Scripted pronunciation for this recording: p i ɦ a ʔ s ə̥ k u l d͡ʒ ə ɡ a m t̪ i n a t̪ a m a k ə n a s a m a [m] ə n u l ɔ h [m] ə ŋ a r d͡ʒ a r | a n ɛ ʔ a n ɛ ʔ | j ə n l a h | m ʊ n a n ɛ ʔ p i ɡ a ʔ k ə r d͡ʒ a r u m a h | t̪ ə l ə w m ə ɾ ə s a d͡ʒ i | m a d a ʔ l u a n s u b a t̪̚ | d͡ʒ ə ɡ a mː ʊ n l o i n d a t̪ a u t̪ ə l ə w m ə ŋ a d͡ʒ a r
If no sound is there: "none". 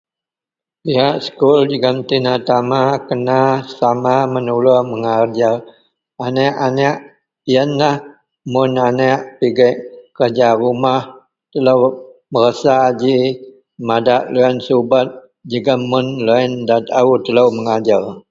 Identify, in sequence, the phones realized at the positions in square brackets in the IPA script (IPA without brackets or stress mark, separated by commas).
m, m